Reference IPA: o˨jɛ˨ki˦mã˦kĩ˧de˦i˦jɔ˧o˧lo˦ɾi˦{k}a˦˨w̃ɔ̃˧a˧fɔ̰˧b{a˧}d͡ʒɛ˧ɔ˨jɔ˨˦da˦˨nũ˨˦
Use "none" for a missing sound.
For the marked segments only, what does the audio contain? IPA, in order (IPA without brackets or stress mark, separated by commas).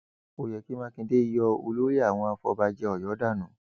none, a˧